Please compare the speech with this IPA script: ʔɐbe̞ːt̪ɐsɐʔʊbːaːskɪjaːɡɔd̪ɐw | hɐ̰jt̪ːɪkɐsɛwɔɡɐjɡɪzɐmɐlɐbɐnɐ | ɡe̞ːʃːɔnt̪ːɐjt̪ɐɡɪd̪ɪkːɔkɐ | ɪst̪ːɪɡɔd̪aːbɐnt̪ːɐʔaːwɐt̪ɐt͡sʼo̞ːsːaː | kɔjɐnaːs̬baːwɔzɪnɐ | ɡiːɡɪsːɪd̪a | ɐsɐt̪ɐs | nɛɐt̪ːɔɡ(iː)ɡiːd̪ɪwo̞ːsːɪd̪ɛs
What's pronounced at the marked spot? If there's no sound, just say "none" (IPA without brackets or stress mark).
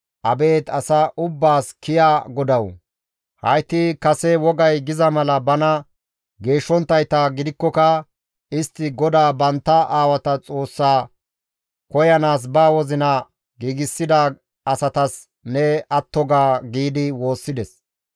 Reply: aː